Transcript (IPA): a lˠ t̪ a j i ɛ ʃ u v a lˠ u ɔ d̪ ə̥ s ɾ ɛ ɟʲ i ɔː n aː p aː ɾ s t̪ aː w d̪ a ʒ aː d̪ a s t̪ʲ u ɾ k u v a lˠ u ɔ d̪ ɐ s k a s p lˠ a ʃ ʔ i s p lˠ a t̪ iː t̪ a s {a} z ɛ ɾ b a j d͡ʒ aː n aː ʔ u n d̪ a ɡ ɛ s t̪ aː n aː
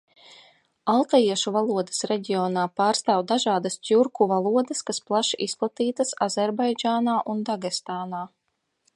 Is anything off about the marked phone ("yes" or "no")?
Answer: no